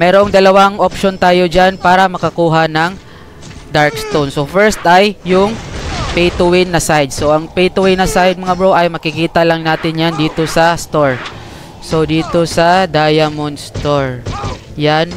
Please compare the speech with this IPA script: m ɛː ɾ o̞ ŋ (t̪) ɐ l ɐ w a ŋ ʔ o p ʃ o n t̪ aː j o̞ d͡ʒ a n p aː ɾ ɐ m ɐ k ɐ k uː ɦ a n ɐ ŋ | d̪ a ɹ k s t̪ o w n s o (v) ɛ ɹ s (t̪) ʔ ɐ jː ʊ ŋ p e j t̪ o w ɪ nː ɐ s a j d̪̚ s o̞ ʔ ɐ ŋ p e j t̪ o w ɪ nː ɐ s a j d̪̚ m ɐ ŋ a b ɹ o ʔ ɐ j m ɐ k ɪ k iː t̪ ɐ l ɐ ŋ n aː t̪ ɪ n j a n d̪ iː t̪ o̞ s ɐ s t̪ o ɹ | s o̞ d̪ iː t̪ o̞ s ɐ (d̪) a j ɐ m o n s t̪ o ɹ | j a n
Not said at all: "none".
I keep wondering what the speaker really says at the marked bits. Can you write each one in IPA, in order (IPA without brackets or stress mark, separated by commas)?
d̪, f, t̪, d̪